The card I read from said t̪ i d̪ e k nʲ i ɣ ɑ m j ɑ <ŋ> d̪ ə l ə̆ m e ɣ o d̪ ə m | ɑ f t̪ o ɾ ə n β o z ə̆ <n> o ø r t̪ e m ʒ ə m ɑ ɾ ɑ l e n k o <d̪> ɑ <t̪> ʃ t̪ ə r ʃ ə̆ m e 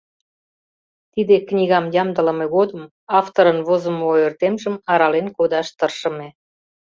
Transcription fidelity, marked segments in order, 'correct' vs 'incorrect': incorrect: m, incorrect: m, correct, incorrect: none

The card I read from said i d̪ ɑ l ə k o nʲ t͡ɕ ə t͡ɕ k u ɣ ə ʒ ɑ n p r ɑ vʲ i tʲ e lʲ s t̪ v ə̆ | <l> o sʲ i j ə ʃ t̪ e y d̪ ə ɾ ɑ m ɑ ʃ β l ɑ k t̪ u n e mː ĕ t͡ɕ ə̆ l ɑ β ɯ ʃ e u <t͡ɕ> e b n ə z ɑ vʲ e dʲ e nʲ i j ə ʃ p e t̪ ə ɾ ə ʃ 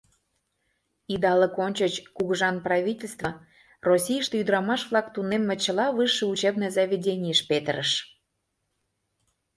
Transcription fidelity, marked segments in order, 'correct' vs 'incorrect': incorrect: r, correct

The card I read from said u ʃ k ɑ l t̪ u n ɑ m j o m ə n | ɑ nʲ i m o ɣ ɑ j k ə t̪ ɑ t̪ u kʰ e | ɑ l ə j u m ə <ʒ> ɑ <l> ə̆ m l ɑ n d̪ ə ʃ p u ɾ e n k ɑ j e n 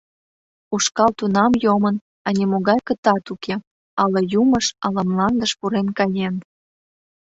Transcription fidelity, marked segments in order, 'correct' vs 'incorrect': incorrect: ʃ, correct

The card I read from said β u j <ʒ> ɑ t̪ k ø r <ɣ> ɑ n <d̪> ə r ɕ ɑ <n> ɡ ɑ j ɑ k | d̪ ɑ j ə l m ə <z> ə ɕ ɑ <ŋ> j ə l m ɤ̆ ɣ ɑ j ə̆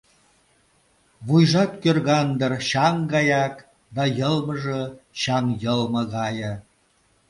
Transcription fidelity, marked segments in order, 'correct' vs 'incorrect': correct, correct, correct, incorrect: ŋ, incorrect: ʒ, correct

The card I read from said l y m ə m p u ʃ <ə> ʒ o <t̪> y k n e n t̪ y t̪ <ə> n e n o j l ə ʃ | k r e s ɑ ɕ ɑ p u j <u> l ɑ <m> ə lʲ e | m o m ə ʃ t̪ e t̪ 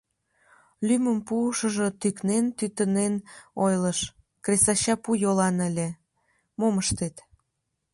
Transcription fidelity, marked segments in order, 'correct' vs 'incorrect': correct, correct, correct, incorrect: o, incorrect: n

